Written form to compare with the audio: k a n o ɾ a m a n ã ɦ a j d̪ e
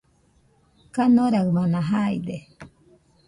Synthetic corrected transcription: k a n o ɾ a m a n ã ɦ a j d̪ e